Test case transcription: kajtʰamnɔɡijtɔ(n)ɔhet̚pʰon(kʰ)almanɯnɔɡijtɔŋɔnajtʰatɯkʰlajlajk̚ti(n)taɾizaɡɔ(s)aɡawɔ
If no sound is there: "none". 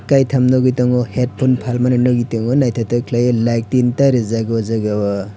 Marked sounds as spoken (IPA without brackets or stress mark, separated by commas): ŋ, pʰ, n, z